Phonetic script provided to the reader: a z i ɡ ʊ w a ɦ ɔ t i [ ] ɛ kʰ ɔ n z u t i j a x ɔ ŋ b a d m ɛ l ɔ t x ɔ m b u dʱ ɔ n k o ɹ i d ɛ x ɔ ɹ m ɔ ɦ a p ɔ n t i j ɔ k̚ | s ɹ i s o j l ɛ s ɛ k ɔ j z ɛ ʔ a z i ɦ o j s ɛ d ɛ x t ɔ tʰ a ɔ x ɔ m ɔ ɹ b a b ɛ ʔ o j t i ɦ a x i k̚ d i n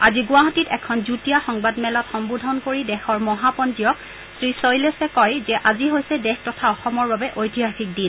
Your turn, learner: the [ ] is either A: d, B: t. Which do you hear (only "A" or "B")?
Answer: B